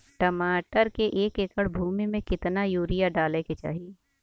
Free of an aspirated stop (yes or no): yes